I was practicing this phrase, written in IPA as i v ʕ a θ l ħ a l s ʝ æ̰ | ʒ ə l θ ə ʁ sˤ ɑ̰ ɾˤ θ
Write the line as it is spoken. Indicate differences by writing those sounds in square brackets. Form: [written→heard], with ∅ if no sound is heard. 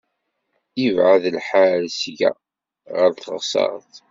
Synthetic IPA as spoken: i v ʕ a [θ→ð] l ħ a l s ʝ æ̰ | [ʒ→ʁ] ə [l→ɾ] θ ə ʁ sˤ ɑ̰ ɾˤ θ